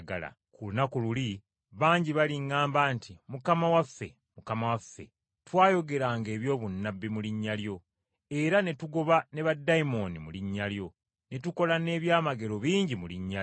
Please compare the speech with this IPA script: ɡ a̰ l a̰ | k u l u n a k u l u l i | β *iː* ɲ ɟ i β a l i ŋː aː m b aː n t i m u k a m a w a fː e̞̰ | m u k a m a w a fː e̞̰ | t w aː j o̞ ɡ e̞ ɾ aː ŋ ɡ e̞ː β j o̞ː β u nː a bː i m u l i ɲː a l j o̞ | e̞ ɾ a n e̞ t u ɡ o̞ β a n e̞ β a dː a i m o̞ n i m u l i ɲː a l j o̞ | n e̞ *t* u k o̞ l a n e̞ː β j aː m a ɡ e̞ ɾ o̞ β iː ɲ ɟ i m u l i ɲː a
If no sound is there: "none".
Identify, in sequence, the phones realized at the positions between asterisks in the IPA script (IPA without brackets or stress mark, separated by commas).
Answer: aː, t